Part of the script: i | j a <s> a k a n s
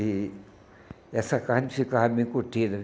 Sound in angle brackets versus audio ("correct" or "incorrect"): correct